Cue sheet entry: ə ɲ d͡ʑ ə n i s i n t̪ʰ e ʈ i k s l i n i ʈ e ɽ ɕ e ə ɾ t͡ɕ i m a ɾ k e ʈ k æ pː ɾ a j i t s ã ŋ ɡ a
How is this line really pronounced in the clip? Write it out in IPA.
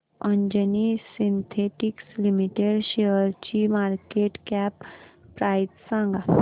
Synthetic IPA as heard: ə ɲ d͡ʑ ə n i s i n t̪ʰ e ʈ i k s l i m i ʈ e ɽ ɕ e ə ɾ t͡ɕ i m a ɾ k e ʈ k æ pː ɾ a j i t s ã ŋ ɡ a